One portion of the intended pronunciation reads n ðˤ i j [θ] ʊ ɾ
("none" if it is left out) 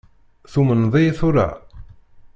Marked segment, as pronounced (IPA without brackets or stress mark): θ